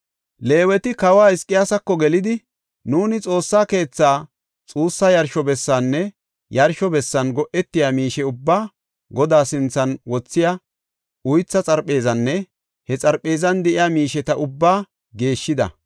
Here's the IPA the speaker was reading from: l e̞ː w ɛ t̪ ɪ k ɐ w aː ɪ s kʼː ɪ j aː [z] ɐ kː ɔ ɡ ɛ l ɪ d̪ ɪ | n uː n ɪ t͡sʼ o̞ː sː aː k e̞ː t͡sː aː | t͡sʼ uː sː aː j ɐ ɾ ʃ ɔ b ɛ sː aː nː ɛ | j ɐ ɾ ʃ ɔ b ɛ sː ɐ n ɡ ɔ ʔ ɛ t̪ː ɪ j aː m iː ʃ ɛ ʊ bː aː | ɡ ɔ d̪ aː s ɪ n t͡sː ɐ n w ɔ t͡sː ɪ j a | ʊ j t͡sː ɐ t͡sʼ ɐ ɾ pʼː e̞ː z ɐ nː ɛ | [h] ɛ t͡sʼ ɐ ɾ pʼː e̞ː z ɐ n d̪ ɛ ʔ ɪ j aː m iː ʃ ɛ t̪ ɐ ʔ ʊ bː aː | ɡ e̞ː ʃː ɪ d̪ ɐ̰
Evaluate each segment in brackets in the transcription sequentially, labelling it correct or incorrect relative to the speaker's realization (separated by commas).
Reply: incorrect, correct